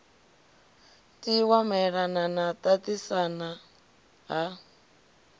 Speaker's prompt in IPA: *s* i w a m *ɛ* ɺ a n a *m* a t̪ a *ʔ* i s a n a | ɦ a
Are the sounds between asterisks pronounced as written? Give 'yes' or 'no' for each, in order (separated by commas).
no, yes, no, no